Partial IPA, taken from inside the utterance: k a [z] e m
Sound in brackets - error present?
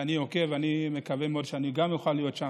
yes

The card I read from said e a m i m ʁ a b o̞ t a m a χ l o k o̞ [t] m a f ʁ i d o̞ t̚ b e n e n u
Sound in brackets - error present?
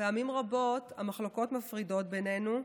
no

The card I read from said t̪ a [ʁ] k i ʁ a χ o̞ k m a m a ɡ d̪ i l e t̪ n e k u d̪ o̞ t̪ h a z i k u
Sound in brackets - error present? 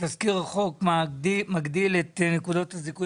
yes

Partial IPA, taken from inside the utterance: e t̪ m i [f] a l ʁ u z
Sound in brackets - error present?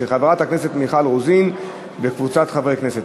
yes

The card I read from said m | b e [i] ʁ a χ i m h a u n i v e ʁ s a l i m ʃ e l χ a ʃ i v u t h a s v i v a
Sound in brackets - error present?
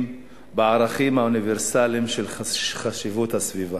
yes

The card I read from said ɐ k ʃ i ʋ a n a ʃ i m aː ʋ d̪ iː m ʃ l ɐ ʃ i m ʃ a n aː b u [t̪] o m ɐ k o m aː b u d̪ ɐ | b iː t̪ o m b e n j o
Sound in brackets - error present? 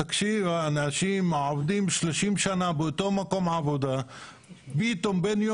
no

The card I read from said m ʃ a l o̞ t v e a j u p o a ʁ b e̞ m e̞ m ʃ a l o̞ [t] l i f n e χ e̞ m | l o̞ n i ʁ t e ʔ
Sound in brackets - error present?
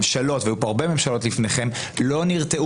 no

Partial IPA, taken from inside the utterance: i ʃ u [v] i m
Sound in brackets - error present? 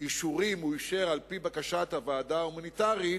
yes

